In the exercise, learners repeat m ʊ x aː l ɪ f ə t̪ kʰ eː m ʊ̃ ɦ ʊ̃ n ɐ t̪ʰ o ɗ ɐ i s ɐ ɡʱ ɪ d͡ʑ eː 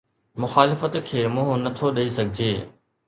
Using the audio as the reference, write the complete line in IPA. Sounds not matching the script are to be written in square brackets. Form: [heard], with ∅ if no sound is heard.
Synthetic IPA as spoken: m ʊ x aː l ɪ f ə t̪ kʰ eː m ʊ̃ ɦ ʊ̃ n ɐ t̪ʰ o ɗ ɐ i s ɐ ɡʱ ɪ d͡ʑ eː